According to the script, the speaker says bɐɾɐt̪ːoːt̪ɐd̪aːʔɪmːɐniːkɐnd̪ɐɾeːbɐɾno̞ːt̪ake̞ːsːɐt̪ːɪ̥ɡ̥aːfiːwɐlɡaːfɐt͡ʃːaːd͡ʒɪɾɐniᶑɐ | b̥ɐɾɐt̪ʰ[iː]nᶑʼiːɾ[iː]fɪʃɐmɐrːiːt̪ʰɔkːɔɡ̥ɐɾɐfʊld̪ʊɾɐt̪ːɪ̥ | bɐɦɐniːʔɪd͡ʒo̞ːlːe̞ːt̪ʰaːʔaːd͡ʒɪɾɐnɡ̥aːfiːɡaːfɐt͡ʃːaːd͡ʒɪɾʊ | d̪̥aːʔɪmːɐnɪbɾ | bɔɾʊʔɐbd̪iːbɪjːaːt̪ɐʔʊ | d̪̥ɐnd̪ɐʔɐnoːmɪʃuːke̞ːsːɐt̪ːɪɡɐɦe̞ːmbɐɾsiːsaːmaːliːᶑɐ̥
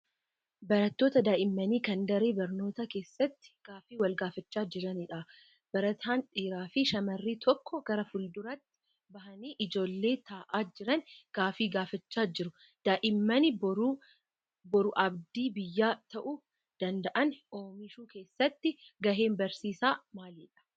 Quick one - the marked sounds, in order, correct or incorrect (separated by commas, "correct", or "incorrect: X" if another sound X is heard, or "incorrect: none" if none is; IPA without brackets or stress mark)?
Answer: incorrect: aː, incorrect: aː